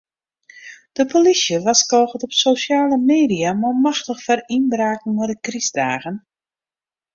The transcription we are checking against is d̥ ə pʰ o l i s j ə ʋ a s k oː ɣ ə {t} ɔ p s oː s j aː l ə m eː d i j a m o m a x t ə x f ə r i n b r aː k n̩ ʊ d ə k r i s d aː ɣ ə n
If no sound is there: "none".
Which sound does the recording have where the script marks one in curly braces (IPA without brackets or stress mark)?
t